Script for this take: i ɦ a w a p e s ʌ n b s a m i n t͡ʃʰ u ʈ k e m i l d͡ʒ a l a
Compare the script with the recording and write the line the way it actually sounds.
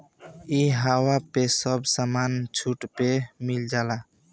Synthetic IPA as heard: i ɦ a w a p e s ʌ b s a m a n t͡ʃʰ u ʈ p e m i l d͡ʒ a l a